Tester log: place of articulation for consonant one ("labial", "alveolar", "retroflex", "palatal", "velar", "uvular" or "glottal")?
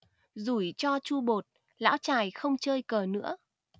alveolar